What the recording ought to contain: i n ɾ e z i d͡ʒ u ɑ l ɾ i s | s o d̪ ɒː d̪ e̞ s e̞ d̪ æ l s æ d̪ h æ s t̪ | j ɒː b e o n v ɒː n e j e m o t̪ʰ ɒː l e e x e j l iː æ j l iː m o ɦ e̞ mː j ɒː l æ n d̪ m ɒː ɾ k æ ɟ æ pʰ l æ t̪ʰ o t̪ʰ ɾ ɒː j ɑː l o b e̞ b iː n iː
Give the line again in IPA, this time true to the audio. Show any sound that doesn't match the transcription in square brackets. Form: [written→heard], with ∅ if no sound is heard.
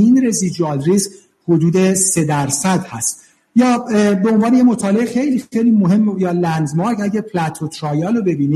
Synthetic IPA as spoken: i n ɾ e z i d͡ʒ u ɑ l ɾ i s | [s→h] o d̪ [ɒː→uː] d̪ e̞ s e̞ d̪ æ [l→ɾ] s æ d̪ h æ s t̪ | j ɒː b e o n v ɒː n e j e m o t̪ʰ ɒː l e e x e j l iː [æ→e] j l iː m o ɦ e̞ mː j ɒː l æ n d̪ m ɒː ɾ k æ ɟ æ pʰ l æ t̪ʰ o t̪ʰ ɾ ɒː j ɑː l o b e̞ b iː n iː